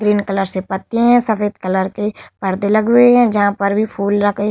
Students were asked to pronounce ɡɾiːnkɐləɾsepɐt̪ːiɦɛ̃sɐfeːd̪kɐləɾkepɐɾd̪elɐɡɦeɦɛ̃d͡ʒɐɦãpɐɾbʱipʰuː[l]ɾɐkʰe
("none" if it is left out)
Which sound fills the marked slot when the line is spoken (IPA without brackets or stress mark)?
l